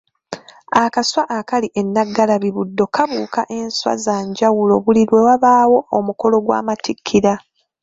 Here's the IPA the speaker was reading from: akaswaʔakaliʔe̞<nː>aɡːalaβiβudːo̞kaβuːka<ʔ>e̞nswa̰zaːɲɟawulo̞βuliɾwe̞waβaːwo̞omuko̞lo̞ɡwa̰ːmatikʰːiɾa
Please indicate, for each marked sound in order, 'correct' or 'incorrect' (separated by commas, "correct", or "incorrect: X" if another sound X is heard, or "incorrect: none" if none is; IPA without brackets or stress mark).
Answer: correct, correct